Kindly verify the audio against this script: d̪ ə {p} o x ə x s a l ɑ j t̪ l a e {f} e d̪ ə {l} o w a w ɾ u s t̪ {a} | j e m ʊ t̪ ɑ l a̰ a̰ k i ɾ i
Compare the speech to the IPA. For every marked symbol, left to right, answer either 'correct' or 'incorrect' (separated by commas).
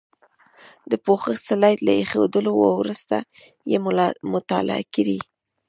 correct, incorrect, correct, correct